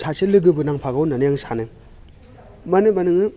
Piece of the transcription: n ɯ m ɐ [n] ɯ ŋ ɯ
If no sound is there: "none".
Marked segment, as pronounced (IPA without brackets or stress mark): n